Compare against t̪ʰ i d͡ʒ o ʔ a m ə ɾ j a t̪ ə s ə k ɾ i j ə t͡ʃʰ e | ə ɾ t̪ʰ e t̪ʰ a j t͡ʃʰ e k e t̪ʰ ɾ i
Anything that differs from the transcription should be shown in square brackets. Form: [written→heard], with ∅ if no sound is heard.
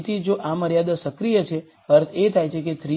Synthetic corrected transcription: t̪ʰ i d͡ʒ o ʔ a m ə ɾ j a [t̪→d̪] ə s ə k ɾ i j ə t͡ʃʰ e | ə ɾ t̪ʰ e t̪ʰ a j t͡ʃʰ e k e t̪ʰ ɾ i